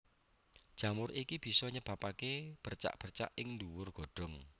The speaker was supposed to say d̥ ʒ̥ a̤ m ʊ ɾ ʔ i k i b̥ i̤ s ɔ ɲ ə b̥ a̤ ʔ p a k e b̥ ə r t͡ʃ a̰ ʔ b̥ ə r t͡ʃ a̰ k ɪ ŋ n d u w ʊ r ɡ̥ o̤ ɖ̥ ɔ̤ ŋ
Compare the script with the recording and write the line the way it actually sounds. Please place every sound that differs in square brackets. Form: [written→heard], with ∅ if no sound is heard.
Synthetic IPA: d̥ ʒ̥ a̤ m ʊ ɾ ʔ i k i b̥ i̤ s ɔ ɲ ə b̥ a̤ [ʔ→∅] p a k e b̥ ə r t͡ʃ a̰ ʔ b̥ ə r t͡ʃ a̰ [k→ʔ] ɪ ŋ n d u w ʊ r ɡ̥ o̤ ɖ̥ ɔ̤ ŋ